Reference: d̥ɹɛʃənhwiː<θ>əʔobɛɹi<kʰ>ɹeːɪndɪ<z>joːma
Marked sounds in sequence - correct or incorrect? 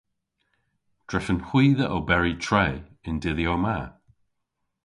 incorrect: ð, incorrect: tʰ, incorrect: ð

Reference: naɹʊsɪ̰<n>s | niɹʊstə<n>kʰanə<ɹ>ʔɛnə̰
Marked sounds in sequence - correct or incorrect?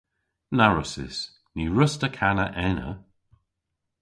incorrect: none, incorrect: none, incorrect: none

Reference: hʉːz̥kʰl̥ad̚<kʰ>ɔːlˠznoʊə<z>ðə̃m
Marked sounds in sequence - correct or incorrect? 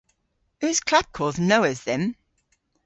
correct, correct

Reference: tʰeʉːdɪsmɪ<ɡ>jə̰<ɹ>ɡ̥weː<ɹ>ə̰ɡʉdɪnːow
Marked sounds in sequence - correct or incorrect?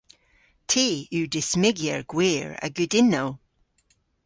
correct, correct, correct

